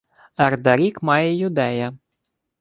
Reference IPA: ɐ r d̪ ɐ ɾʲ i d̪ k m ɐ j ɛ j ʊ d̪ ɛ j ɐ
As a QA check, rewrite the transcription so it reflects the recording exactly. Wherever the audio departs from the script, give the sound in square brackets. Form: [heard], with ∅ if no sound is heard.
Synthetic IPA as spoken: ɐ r d̪ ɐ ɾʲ i [∅] k m [ɑ] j ɛ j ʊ d̪ ɛ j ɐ